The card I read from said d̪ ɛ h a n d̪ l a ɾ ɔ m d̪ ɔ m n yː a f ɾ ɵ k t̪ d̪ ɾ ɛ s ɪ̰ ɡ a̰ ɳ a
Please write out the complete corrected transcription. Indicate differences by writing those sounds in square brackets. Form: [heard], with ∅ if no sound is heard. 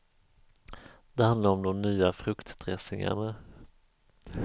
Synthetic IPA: d̪ ɛ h a n d̪ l a ɾ ɔ m d̪ ɔ m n yː a f ɾ ɵ k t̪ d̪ ɾ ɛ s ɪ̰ [ŋ] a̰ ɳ a